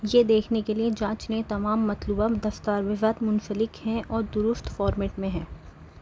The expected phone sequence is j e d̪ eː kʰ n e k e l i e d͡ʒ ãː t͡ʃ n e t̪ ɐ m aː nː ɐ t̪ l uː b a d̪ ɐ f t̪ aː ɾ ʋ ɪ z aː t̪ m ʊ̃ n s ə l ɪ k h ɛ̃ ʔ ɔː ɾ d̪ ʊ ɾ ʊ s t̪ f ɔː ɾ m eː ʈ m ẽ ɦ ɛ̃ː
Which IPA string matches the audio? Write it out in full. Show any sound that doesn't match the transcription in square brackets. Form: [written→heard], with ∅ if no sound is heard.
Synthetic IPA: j e d̪ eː kʰ n e k e l i e d͡ʒ ãː t͡ʃ n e t̪ ɐ m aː [nː→mː] ɐ t̪ l uː b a d̪ ɐ f t̪ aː ɾ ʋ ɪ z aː t̪ m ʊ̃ n s ə l ɪ k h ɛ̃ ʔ ɔː ɾ d̪ ʊ ɾ ʊ s t̪ f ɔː ɾ m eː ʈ m ẽ ɦ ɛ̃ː